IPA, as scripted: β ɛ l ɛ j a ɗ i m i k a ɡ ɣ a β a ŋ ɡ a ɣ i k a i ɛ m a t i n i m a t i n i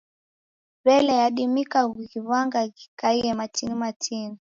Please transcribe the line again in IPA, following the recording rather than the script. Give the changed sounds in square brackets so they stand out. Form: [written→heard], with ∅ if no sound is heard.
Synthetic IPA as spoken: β ɛ l ɛ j a ɗ i m i k a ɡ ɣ [a→i] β a ŋ ɡ a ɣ i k a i ɛ m a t i n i m a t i n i